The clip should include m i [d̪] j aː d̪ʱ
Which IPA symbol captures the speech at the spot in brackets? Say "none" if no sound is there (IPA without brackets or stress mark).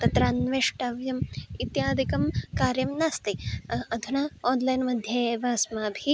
t̪